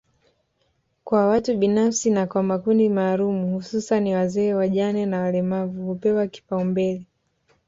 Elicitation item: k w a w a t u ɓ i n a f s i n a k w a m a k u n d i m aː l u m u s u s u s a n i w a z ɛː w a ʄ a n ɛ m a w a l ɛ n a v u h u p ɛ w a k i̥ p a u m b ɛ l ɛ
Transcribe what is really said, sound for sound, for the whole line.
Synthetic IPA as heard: k w a w a t u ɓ i n a f s i n a k w a m a k u n d i m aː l u m u h u s u s a n i w a z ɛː w a ʄ a n ɛ n a w a l ɛ m a v u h u p ɛ w a k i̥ p a u m b ɛ l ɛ